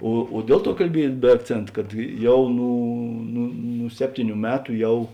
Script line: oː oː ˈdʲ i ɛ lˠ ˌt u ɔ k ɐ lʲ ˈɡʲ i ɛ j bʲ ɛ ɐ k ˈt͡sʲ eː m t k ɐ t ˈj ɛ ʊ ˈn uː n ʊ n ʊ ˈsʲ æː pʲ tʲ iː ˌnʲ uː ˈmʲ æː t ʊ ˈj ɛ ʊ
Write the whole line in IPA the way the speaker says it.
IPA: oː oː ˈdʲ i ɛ lˠ ˌt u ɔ k ɐ lʲ ˈbʲ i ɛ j bʲ ɛ ɐ k ˈt͡sʲ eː n t k ɐ t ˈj ɛ ʊ ˈn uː n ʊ n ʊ ˈsʲ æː pʲ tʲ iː ˌnʲ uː ˈmʲ æː t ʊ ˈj ɛ ʊ

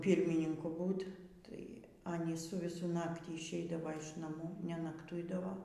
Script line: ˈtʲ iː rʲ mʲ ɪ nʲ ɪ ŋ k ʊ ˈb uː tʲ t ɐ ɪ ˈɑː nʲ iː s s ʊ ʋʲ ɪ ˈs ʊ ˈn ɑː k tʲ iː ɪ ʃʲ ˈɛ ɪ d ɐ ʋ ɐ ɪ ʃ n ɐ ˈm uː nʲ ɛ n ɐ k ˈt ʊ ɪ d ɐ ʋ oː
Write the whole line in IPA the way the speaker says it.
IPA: ˈpʲ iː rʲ mʲ ɪ nʲ ɪ ŋ k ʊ ˈb uː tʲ t ɐ ɪ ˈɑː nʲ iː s s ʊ ʋʲ ɪ ˈs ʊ ˈn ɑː k tʲ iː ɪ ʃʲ ˈɛ ɪ d ɐ ʋ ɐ ɪ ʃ n ɐ ˈm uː nʲ ɛ n ɐ k ˈt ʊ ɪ d ɐ ʋ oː

